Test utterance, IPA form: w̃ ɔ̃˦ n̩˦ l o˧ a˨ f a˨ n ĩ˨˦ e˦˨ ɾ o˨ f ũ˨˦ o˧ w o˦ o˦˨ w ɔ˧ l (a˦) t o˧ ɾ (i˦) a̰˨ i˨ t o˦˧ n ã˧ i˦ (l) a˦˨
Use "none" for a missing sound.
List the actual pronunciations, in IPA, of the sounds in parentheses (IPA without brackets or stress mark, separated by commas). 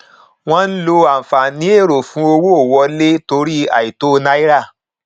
e˦, i˦, ɾ